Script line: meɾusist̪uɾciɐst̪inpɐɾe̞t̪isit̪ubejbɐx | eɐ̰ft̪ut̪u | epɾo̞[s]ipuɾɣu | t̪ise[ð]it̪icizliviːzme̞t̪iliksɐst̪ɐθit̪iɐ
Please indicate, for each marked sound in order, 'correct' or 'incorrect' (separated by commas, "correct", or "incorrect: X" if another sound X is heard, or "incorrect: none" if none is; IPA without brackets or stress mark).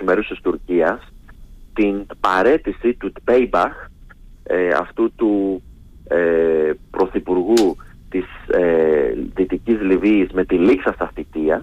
incorrect: θ, correct